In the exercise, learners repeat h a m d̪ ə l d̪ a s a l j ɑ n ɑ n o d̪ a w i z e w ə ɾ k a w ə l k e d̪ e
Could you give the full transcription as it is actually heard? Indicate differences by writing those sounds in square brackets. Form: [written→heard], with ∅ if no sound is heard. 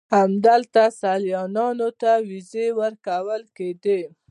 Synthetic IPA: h a m d̪ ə l [d̪→t̪] a s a l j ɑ n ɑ n o [d̪→t̪] a w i z e w ə ɾ k a w ə l k e d̪ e